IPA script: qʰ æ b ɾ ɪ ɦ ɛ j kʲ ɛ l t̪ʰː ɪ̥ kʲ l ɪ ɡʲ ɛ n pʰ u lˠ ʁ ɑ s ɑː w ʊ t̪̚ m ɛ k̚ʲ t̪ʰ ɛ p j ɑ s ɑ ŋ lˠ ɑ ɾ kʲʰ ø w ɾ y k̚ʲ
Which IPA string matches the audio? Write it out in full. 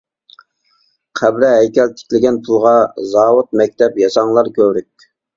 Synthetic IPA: qʰ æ b ɾ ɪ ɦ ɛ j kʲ ɛ l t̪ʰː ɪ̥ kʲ l ɪ ɡʲ ɛ n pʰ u lˠ ʁ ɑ z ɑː w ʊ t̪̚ m ɛ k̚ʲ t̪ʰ ɛ p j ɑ s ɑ ŋ lˠ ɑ ɾ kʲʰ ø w ɾ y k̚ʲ